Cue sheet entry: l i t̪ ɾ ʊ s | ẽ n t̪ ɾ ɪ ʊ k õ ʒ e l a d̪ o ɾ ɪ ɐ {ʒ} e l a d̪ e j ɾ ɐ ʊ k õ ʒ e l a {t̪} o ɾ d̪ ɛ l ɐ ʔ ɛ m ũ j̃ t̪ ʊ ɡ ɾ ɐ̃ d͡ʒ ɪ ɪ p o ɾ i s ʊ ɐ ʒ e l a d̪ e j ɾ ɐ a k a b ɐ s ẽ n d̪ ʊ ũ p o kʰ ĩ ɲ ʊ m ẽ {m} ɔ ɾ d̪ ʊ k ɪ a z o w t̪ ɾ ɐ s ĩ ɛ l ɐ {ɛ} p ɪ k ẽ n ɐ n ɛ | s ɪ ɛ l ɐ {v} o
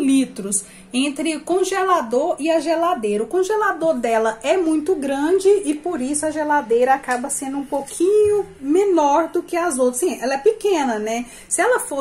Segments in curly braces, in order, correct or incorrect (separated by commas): correct, incorrect, incorrect, correct, incorrect